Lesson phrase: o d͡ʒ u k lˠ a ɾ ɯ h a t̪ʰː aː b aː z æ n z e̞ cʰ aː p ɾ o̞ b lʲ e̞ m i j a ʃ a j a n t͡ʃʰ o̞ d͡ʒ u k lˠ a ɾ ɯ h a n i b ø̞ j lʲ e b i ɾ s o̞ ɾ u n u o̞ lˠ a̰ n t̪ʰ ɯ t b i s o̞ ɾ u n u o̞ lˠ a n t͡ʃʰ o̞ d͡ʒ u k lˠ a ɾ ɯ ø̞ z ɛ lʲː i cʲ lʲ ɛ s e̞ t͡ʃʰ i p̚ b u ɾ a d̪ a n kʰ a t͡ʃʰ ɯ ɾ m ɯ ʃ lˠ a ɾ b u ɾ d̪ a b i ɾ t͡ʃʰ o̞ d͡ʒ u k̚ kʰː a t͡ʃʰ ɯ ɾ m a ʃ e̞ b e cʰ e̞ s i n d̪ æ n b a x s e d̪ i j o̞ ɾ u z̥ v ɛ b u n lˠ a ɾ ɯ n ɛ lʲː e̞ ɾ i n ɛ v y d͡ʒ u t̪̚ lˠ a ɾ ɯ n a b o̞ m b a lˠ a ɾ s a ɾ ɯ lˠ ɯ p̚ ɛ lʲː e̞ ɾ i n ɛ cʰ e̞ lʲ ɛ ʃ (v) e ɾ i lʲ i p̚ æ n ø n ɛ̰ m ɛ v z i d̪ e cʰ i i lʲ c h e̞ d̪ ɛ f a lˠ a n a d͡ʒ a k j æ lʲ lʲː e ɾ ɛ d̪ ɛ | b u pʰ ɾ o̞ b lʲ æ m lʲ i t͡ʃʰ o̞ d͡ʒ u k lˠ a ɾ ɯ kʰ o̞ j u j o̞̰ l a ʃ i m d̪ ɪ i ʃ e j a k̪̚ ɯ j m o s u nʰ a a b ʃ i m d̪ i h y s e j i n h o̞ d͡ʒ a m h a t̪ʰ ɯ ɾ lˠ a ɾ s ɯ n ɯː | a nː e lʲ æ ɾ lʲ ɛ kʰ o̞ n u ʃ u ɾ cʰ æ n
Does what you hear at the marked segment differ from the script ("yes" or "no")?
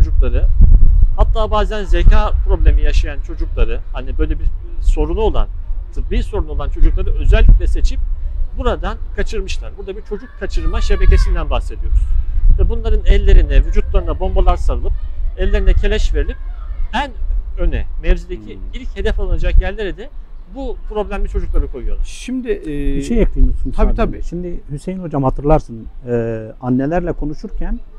no